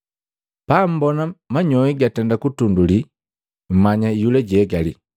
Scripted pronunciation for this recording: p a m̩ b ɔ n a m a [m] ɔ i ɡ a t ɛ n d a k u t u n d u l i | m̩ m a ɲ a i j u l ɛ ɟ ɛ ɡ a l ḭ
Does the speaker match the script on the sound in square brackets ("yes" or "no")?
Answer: no